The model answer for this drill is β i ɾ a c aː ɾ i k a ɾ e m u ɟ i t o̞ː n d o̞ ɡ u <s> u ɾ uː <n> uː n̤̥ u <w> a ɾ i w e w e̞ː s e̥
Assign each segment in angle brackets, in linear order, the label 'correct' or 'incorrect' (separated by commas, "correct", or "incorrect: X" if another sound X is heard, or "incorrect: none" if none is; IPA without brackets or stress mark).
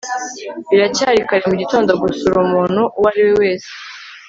correct, incorrect: m, correct